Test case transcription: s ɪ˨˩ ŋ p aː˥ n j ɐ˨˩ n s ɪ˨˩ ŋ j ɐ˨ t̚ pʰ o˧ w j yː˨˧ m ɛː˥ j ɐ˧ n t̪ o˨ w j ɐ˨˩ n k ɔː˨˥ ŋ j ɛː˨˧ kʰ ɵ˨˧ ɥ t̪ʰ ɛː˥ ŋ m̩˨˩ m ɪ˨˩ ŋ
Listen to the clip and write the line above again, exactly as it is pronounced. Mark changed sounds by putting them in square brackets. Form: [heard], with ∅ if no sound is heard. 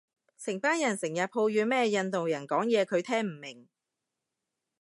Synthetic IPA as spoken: s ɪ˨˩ ŋ p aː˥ n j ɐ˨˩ n s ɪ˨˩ ŋ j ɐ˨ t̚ pʰ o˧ w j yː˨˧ m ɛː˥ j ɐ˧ n t̪ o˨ w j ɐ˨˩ n k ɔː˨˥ ŋ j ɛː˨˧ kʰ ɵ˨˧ ɥ t̪ʰ ɛː˥ ŋ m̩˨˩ m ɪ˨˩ ŋ